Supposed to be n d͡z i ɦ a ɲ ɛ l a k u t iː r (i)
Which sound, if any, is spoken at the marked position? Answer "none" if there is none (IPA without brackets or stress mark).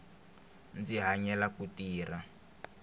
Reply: a